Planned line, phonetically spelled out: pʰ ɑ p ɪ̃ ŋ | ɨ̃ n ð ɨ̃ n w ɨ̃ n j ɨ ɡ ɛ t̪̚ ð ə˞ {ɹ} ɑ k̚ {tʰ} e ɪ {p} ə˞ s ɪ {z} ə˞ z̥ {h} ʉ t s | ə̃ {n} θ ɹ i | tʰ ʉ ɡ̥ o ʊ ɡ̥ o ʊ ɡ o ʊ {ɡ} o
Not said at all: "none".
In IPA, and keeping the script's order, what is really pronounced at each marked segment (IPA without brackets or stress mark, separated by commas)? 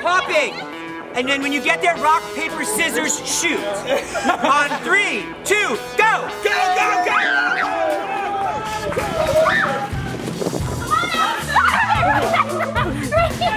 ɹ, pʰ, p, z, ʃ, n, ɡ